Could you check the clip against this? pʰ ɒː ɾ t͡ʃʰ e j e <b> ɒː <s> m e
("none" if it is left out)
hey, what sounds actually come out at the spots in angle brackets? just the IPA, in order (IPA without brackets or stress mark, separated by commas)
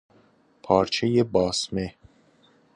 b, s